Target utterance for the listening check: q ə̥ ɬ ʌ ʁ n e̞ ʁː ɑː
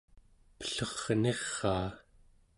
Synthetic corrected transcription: p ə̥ ɬ ʌ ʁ n e̞ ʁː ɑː